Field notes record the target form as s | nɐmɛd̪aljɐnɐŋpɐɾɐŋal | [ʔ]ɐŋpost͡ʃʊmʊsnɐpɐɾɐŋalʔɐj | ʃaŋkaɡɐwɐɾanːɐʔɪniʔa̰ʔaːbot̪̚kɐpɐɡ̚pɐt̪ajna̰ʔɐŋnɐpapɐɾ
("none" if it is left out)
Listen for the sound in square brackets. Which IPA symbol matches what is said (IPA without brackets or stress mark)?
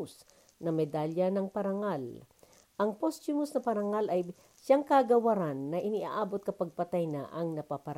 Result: ʔ